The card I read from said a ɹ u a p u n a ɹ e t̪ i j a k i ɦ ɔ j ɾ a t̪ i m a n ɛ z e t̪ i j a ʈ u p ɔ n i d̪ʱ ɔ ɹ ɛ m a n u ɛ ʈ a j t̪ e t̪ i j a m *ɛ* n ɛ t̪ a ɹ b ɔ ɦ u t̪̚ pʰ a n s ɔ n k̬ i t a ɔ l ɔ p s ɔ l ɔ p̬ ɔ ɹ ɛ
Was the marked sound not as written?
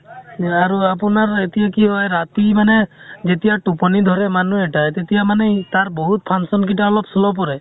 yes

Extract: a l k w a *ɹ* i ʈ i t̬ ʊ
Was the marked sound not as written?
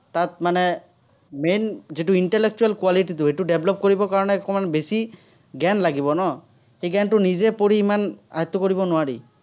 yes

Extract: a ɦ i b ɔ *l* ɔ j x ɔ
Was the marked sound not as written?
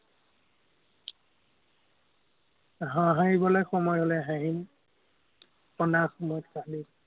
no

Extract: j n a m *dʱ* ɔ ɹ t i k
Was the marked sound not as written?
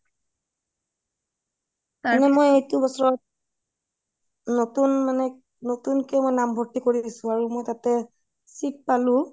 yes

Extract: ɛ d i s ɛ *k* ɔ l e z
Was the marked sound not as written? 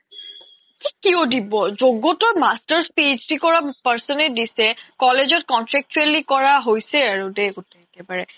no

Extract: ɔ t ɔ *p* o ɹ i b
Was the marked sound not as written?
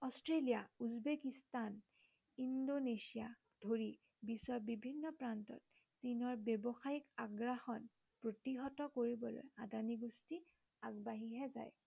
yes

